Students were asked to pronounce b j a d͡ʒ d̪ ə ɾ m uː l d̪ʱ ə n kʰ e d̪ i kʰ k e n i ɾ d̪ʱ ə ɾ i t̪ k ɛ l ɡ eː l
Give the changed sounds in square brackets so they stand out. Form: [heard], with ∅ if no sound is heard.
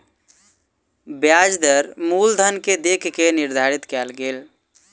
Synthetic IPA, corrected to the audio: b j a d͡ʒ d̪ ə ɾ m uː l d̪ʱ ə n [k] e d̪ [e] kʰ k e n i ɾ d̪ʱ [a] ɾ i t̪ k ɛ l ɡ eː l